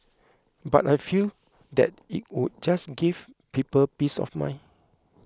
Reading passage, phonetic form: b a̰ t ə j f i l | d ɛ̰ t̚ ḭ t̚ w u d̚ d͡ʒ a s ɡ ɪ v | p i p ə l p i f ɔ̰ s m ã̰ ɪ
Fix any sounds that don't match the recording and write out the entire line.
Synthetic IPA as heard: b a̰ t a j f i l | d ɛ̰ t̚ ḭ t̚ w u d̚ d͡ʒ a s ɡ i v | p i p ə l p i s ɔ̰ f m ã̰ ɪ

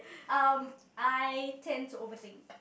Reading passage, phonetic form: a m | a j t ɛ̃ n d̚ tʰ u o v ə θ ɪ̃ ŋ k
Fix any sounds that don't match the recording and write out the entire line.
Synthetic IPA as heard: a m | a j tʰ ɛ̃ n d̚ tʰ u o v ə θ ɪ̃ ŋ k

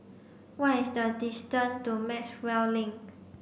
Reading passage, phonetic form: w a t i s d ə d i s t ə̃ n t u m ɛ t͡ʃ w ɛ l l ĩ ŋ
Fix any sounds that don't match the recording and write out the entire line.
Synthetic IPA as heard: w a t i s d ə d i s t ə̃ n t u m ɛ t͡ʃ w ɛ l l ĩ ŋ

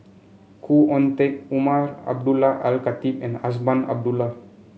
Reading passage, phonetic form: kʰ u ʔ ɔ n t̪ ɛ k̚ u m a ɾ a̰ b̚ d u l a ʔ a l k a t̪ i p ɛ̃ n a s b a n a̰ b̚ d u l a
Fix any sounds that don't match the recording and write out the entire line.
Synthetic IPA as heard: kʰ u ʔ ɔ n t̪ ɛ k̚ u m a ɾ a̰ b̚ d u l a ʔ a l k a t̪ i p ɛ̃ n a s b a n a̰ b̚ d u l a

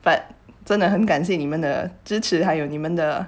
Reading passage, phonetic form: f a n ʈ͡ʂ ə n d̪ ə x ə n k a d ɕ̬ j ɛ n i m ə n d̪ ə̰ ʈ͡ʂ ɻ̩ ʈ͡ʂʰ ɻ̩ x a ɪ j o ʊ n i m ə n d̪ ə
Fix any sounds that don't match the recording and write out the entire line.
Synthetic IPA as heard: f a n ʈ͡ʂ ə n d̪ ə x ə n k a n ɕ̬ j ɛ n i m ə n d̪ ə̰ ʈ͡ʂ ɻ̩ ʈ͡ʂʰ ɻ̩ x a ɪ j o ʊ n i m ə n d̪ ə

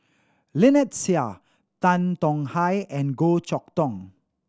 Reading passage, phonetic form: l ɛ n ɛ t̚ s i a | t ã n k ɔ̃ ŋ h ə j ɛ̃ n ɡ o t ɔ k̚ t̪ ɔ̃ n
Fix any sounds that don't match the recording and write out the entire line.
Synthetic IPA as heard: l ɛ n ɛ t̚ s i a | t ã n t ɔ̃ ŋ h a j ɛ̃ n ɡ o t͡ʃ ɔ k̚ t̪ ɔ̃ ŋ

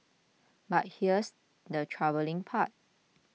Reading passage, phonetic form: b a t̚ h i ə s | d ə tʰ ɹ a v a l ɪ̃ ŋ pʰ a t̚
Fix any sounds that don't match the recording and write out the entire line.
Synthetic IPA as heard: b a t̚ h i ə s | d ə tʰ ɹ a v ə l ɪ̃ ŋ pʰ a t̚

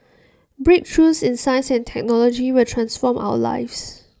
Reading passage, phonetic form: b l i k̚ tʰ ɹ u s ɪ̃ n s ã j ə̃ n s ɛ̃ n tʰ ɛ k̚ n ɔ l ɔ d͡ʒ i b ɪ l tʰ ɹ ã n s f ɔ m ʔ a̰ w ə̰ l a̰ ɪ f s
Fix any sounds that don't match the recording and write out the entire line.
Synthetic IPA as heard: b ɹ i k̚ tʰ ɹ u s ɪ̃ n s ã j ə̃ n s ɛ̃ n tʰ ɛ k̚ n ɔ l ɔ d͡ʒ i w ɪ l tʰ ɹ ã n s f ɔ m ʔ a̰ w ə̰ l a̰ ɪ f s

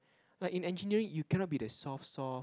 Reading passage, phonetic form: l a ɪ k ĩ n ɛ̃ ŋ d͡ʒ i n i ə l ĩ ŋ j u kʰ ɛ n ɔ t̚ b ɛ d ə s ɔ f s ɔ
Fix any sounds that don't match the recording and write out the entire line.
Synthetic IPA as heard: l a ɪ k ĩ n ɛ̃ n d͡ʒ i n i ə ɹ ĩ ŋ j u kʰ ɛ n ɔ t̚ b i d ə s ɔ f s ɔ

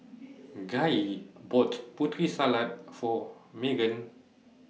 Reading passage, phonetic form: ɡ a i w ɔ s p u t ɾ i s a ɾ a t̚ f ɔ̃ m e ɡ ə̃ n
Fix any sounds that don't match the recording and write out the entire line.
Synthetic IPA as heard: ɡ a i b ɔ t p u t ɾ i s a l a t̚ f ɔ m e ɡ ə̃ n

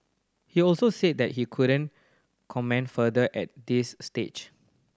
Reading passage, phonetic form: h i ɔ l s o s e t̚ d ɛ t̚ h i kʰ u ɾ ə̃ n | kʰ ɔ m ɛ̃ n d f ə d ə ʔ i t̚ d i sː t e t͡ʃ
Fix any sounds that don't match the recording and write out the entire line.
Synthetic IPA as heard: h i ɔ l s o s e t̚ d ɛ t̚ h i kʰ u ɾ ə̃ n | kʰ ɔ m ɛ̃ n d f ə d ə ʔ ɛ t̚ d i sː t e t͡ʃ

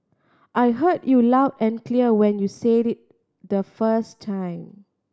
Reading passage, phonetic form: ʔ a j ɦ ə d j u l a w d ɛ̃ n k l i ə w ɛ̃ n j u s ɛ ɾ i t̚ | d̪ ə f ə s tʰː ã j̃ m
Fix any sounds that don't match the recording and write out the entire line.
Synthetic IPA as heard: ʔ a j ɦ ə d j u l a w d ɛ̃ n k l i ə w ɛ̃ n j u s e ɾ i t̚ | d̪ ə f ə s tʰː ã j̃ m

